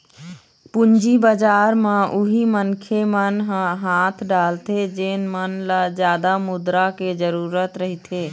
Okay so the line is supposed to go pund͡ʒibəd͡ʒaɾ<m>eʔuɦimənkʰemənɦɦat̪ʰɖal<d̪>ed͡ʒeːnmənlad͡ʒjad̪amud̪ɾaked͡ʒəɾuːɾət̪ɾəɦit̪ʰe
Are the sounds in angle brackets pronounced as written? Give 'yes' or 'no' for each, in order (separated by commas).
yes, no